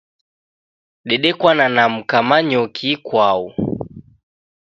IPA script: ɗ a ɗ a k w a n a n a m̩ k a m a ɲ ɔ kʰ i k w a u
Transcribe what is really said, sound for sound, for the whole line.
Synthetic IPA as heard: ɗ ɛ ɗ ɛ k w a n a n a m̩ k a m a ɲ ɔ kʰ i k w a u